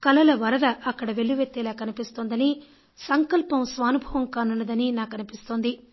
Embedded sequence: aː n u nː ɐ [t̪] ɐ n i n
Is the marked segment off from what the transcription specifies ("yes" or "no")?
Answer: yes